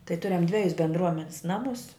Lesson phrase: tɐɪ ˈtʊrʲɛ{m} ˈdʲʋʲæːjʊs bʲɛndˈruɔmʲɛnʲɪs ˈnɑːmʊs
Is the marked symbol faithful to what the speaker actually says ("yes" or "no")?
yes